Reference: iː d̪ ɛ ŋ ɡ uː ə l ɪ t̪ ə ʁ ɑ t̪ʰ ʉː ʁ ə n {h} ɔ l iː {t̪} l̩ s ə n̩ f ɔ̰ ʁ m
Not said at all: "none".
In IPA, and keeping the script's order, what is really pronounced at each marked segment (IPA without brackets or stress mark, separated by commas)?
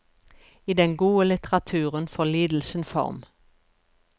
f, d̪